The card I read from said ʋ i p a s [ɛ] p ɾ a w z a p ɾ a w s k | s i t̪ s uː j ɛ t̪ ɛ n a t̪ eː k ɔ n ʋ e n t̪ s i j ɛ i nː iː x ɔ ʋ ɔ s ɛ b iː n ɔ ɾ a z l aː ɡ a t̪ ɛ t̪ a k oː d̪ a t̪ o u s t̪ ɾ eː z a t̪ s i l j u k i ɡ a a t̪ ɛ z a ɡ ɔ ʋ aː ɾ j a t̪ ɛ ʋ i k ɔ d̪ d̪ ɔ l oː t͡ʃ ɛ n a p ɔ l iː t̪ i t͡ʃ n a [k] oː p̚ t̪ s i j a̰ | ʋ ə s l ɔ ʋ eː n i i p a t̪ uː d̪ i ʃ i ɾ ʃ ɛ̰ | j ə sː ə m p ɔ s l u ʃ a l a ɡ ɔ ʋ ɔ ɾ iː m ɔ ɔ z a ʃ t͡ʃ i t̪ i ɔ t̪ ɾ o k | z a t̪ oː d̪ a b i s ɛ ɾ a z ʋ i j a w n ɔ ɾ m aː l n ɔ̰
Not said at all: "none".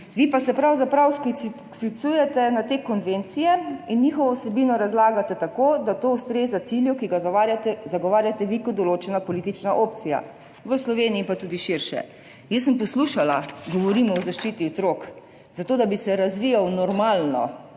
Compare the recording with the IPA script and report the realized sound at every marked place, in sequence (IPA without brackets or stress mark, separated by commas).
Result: ɛ, ʔ